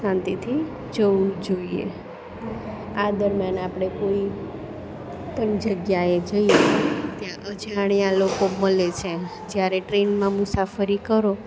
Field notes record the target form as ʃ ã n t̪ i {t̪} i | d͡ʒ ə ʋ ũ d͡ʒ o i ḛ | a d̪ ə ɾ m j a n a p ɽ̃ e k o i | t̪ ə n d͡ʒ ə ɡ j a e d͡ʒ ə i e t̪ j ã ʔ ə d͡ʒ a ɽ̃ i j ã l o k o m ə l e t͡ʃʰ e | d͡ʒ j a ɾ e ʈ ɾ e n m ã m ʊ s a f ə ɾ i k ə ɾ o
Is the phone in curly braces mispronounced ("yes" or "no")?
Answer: yes